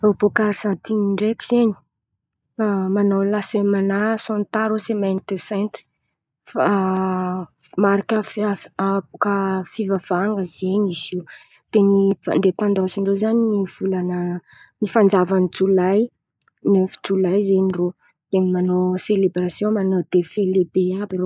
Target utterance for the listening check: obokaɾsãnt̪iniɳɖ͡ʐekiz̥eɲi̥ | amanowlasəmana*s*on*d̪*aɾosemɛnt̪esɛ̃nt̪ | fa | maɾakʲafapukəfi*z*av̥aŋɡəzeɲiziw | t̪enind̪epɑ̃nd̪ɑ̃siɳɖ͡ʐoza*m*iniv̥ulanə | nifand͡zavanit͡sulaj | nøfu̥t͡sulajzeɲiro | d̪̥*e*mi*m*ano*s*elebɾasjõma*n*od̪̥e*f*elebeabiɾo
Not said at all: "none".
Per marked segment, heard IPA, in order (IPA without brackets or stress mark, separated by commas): s, t̪, v, n, e, m, s, n, f